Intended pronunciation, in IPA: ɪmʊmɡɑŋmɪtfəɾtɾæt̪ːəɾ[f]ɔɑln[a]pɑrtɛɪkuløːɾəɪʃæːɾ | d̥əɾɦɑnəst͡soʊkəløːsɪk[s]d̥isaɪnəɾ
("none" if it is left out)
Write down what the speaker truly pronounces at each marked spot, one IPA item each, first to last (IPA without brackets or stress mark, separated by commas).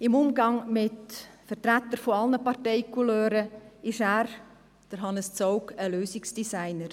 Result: f, ə, s